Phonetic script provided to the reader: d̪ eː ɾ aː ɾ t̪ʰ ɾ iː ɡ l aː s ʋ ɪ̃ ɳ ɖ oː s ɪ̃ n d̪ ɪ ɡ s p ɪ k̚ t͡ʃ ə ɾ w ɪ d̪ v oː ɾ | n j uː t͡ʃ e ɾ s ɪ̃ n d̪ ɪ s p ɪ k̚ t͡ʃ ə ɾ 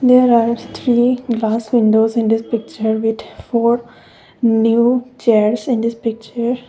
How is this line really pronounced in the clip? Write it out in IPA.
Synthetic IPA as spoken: d̪ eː ɾ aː ɾ t̪ʰ ɾ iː ɡ l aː s ʋ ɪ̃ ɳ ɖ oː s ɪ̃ n d̪ ɪ s p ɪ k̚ t͡ʃ ə ɾ ʋ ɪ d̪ f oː ɾ | n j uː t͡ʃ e ɾ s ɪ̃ n d̪ ɪ s p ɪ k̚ t͡ʃ ə ɾ